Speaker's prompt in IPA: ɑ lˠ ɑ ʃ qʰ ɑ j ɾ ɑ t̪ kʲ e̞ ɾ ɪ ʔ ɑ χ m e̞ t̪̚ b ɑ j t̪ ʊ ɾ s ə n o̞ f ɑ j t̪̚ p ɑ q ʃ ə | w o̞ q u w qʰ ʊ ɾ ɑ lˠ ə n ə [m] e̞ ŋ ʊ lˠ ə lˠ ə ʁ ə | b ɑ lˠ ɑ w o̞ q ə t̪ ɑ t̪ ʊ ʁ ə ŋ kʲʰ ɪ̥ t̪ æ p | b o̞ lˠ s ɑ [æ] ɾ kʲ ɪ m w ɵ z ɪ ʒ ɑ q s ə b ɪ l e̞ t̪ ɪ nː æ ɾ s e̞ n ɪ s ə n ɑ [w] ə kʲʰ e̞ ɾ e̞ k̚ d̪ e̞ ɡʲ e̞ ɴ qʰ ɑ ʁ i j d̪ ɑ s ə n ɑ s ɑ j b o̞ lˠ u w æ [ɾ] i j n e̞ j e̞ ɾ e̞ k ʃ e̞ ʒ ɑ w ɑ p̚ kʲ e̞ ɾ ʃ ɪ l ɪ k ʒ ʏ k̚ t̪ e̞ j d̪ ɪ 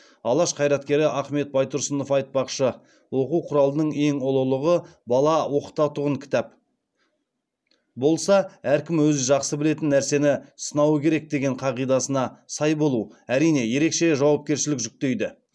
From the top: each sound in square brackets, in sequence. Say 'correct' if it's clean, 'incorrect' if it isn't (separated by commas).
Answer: incorrect, correct, correct, correct